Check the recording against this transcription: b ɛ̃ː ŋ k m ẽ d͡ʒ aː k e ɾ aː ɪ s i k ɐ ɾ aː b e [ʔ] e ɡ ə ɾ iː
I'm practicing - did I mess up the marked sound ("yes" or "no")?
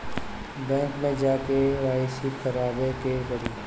yes